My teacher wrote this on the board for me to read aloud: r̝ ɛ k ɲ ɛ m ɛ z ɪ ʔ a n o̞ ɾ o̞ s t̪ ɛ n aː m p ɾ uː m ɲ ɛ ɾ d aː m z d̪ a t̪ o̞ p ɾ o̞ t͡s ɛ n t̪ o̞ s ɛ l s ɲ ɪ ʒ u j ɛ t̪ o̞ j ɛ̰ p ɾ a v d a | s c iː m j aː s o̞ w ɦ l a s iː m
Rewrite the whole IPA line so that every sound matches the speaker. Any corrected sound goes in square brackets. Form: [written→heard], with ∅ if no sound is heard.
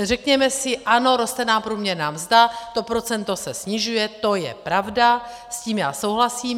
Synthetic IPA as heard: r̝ ɛ k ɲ ɛ m ɛ [z→s] ɪ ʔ a n o̞ ɾ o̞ s t̪ ɛ n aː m p ɾ uː m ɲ ɛ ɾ [d→n] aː m z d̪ a t̪ o̞ p ɾ o̞ t͡s ɛ n t̪ o̞ s ɛ [l→∅] s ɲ ɪ ʒ u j ɛ t̪ o̞ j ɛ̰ p ɾ a v d a | s c iː m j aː s o̞ w ɦ l a s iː m